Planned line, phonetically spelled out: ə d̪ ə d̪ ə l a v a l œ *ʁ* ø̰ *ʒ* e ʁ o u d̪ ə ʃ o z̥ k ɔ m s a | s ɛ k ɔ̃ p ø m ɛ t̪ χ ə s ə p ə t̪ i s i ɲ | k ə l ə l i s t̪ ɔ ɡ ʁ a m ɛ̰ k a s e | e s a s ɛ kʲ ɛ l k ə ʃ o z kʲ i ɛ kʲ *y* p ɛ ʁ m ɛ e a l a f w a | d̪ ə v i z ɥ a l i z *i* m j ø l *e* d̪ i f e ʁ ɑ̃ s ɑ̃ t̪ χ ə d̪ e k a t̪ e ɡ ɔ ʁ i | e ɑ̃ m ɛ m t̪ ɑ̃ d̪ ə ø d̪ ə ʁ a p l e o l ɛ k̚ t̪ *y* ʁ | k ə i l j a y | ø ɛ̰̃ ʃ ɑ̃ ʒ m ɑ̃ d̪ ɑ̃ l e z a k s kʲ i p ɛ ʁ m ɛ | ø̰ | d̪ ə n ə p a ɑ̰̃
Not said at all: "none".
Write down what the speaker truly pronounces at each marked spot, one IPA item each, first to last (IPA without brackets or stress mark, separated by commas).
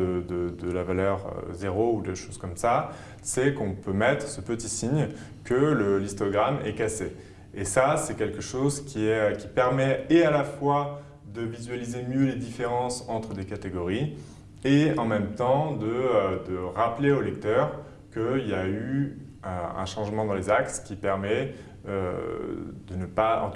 ʁ, z, i, e, e, œ